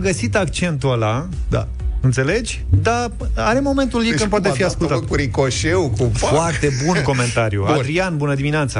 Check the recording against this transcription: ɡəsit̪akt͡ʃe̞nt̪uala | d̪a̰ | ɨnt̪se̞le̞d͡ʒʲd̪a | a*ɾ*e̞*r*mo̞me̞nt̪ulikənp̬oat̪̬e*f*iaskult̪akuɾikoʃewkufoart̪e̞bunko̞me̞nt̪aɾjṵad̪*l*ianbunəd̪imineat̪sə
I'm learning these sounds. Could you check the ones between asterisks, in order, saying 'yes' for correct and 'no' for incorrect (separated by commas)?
yes, no, yes, no